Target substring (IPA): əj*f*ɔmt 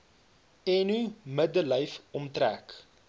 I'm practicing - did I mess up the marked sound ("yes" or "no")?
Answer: no